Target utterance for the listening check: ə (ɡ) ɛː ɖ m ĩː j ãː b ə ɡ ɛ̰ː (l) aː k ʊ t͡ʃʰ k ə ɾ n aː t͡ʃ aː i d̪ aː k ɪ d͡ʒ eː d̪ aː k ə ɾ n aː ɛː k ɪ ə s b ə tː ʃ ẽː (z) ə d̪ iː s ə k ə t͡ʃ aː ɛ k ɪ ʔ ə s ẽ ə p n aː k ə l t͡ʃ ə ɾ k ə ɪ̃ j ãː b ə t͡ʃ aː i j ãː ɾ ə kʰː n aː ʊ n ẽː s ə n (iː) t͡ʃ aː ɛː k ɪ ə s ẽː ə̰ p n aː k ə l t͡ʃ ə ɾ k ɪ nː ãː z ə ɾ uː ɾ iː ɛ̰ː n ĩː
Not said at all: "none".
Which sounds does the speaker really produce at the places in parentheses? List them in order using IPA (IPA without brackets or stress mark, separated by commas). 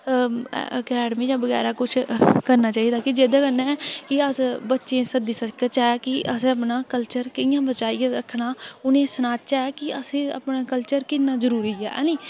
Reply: k, ɾ, s, aː